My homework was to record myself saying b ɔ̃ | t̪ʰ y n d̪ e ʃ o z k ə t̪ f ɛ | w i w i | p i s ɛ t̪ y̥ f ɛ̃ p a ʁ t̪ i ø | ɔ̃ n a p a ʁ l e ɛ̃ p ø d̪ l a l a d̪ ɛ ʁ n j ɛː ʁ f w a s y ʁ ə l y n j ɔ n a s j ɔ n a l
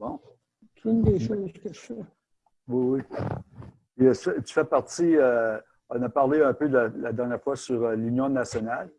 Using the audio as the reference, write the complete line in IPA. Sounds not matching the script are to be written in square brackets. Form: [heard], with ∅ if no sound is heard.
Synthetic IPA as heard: b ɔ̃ | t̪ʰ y n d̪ e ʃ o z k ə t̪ f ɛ | w i w i | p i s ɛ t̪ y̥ f [ɛ] p a ʁ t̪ i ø | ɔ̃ n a p a ʁ l e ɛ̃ p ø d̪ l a l a d̪ ɛ ʁ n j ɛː ʁ f w a s y ʁ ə l y n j [ɔ̃] n a s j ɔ n a l